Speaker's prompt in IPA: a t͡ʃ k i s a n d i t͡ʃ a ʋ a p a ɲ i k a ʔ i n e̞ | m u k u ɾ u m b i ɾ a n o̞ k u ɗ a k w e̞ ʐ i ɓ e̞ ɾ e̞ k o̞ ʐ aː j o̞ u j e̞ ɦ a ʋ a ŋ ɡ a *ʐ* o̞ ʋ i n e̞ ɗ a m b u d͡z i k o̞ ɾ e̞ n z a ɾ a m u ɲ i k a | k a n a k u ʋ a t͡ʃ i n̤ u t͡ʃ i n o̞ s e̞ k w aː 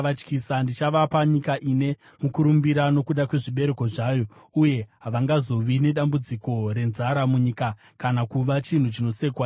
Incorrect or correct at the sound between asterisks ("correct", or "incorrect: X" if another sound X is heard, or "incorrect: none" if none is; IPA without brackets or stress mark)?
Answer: incorrect: z